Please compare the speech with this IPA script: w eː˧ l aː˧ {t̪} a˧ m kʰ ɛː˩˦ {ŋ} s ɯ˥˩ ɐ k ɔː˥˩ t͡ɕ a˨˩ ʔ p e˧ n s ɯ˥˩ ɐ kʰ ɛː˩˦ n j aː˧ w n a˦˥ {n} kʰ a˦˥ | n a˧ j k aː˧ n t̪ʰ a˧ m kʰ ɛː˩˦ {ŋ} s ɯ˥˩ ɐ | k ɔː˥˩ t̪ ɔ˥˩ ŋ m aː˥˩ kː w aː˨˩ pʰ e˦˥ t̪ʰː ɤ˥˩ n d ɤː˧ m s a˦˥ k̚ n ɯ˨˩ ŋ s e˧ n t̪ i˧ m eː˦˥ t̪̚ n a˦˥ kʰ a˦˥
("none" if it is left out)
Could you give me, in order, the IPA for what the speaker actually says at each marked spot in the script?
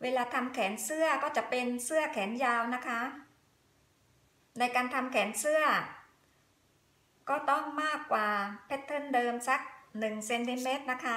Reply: t̪ʰ, n, none, n

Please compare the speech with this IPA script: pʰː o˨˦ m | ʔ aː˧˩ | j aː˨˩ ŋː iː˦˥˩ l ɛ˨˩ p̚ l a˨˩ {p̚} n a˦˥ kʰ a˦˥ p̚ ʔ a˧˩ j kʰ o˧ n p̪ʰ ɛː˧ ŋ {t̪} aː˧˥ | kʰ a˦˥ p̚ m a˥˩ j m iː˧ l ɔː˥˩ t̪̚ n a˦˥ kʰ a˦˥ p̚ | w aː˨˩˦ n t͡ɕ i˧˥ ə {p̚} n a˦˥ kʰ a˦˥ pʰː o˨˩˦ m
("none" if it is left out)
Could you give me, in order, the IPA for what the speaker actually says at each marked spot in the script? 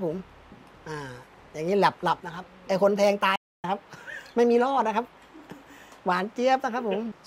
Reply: p̚, t̪, p̚

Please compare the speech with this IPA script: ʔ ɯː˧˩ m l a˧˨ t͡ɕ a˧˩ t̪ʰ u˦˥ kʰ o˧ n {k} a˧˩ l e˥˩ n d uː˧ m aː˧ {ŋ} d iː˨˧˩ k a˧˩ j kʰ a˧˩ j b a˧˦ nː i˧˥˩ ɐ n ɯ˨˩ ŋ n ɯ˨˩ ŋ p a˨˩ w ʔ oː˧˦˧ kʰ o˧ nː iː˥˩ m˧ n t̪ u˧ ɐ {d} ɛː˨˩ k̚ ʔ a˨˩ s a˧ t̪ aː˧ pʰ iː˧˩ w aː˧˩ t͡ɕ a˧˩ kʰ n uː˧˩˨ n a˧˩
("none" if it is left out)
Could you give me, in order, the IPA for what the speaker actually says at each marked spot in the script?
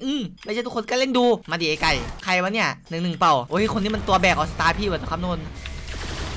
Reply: k, none, b

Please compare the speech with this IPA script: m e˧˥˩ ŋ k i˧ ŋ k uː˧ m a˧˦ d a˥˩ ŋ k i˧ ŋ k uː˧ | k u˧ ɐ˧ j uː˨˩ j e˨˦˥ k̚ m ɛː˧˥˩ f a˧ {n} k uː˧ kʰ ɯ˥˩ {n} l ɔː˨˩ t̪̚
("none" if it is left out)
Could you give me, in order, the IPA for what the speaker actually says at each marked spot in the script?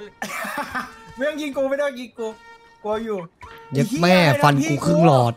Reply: n, ŋ

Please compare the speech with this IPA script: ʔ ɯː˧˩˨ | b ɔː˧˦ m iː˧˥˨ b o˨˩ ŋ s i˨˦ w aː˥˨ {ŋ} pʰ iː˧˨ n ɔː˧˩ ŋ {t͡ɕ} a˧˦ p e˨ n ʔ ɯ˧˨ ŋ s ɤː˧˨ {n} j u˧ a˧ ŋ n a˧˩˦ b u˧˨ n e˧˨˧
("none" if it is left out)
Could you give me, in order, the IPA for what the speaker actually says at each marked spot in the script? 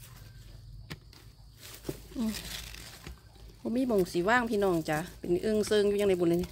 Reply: ŋ, t͡ɕ, ŋ

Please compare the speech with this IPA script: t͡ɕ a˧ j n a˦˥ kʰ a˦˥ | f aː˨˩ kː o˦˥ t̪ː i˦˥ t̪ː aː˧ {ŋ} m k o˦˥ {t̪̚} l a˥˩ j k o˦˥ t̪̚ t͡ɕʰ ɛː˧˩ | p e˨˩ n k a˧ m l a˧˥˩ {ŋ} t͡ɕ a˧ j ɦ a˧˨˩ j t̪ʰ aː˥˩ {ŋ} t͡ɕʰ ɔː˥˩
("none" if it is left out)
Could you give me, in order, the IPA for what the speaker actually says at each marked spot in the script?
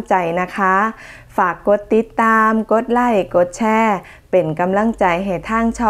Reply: none, t̪̚, ŋ, ŋ

